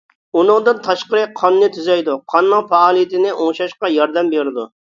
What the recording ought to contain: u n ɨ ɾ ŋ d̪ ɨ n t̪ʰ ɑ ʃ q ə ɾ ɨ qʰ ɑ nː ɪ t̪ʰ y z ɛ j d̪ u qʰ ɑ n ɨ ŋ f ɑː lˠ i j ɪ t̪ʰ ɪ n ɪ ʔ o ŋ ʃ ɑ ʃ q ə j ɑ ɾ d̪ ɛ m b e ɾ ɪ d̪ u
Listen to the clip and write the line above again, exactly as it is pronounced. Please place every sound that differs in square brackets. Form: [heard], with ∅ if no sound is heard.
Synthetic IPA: u n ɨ [∅] ŋ d̪ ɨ n t̪ʰ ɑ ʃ q ə ɾ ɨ qʰ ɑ nː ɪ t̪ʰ y z ɛ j d̪ u qʰ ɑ [nː] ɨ ŋ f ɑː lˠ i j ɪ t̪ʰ ɪ n ɪ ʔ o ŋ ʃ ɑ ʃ q [ɑ] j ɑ ɾ d̪ ɛ m b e ɾ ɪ d̪ u